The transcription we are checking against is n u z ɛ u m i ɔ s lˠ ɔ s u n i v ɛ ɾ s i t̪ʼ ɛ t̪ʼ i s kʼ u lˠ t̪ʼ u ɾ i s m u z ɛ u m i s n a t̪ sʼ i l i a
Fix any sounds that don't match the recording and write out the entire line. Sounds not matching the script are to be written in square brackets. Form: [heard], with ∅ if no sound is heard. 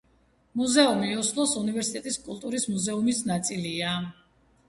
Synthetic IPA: [m] u z ɛ u m i ɔ s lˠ ɔ s u n i v ɛ ɾ s i t̪ʼ ɛ t̪ʼ i s kʼ u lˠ t̪ʼ u ɾ i s m u z ɛ u m i s n a t̪ sʼ i l i a